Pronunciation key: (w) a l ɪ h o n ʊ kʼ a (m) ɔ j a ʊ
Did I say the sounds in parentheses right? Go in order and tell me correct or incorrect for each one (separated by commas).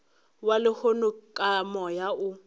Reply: correct, correct